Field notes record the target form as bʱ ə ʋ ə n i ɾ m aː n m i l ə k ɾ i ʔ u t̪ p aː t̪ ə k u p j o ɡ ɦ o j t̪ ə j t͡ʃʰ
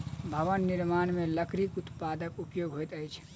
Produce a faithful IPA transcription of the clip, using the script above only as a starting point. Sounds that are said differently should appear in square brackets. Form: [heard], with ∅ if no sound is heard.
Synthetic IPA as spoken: bʱ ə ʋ ə [nː] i ɾ m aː n m [e] l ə k ɾ i [k] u t̪ p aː [d̪] ə k u p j o ɡ ɦ o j t̪ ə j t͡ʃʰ